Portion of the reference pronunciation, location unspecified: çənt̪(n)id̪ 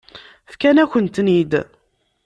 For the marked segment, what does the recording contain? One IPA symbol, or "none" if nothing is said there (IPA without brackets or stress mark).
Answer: n